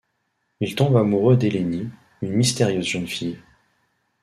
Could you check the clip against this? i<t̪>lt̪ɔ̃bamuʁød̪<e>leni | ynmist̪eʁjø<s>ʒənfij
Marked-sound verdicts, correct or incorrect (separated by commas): incorrect, correct, incorrect